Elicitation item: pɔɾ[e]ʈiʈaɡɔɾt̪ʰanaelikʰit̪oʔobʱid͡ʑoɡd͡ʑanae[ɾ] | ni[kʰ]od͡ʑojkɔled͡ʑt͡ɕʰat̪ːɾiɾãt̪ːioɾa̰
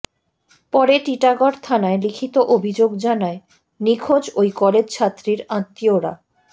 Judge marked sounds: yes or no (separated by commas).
yes, no, yes